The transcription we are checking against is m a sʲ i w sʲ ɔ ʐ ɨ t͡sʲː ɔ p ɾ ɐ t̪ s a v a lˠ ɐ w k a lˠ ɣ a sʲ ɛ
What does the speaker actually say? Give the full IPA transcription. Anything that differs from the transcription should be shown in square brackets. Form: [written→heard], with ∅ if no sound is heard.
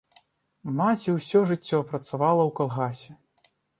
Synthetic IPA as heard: m a [sʲ→t͡sʲ] i w sʲ ɔ ʐ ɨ t͡sʲː ɔ p ɾ ɐ t̪ s a v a lˠ ɐ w k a lˠ ɣ a sʲ ɛ